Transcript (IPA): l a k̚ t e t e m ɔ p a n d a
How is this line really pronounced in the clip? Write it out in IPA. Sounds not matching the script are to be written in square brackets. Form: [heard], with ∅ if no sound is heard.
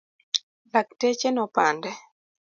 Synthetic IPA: l a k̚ t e [t͡ʃ] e [n] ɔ p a n d [ɛ]